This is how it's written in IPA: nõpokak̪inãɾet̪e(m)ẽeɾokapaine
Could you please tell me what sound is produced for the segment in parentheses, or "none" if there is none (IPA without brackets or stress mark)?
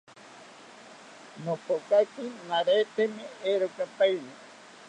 m